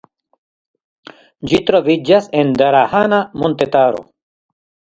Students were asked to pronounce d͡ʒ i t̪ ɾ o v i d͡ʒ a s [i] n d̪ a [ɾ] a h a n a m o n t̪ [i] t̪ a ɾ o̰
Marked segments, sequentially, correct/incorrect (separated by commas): incorrect, correct, incorrect